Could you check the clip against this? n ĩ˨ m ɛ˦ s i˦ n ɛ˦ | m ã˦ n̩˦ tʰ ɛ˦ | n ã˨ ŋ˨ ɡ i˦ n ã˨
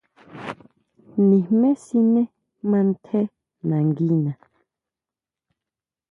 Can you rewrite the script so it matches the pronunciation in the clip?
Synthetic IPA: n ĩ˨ m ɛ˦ s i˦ n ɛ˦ | m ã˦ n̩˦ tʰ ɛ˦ | n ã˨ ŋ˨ ɡ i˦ n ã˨

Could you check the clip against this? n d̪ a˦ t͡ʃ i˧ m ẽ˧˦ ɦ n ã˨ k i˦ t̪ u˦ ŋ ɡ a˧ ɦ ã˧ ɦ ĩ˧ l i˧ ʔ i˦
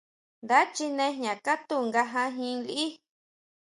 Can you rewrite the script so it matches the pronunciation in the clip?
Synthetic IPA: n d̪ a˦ t͡ʃ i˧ n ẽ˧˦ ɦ ɲ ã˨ k a˦ t̪ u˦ ŋ ɡ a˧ ɦ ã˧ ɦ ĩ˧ l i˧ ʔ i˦

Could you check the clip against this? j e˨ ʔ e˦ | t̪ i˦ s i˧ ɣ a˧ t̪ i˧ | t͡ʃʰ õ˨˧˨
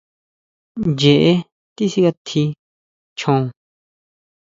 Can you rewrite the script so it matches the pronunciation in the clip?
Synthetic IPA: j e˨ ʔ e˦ | t̪ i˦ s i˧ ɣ a˧ t̪ʰ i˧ | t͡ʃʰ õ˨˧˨

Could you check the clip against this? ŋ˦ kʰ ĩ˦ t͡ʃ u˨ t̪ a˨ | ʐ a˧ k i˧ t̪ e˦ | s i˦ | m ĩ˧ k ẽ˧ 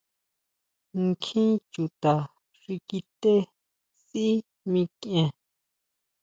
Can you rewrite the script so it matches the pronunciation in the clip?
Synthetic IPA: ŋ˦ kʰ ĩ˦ t͡ʃ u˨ t̪ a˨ | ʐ i˧ k i˧ t̪ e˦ | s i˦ | m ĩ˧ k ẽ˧

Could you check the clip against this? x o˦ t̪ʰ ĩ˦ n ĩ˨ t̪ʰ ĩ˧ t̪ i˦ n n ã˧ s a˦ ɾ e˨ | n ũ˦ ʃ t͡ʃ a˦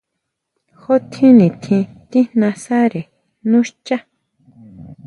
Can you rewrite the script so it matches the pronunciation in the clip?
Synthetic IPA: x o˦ t̪ʰ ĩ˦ n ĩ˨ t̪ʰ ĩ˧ t̪ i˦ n n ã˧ s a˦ ɾ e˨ | n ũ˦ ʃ t͡ʃ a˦

